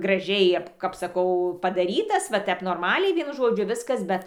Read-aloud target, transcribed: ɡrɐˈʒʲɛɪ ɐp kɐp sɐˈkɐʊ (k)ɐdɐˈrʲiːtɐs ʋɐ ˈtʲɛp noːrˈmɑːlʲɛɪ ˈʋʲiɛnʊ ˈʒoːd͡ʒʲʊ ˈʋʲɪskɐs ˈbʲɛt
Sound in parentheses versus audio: incorrect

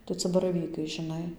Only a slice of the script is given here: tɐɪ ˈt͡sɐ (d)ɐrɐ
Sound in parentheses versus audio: incorrect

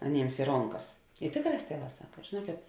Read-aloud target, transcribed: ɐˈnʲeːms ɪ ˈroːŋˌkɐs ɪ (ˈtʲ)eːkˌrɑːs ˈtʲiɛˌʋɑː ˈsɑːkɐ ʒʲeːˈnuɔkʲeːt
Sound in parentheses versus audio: correct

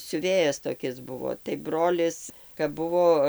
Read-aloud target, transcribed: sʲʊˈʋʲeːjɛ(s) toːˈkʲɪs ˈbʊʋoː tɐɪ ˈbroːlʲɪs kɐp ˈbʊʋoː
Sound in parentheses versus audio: correct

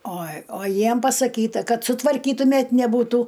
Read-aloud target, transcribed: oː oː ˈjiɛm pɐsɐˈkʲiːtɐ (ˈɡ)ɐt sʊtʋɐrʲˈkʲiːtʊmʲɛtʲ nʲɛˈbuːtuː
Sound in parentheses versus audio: incorrect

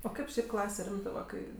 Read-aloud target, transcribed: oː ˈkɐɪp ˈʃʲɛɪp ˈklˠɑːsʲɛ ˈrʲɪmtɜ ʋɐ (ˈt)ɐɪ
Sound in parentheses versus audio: incorrect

